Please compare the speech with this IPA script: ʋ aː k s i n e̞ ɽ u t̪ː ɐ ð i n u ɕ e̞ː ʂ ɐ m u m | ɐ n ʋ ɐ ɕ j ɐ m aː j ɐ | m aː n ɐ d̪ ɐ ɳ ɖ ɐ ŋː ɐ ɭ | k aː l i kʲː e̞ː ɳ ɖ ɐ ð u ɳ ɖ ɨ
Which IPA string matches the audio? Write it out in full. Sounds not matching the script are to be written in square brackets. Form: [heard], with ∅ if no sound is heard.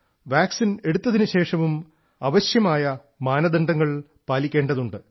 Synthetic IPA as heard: ʋ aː k s i n e̞ ɽ u t̪ː ɐ ð i n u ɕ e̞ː ʂ ɐ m u m | ɐ [∅] ʋ ɐ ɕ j ɐ m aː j ɐ | m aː n ɐ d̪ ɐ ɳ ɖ ɐ ŋː ɐ ɭ | [p] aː l i kʲː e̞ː ɳ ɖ ɐ ð u ɳ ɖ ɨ